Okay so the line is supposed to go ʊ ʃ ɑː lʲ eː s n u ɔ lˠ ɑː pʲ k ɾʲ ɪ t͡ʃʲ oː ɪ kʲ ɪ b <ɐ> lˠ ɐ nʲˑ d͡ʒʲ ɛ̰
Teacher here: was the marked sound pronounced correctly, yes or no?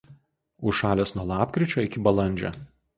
yes